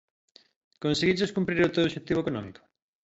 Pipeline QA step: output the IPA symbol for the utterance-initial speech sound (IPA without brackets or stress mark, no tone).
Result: k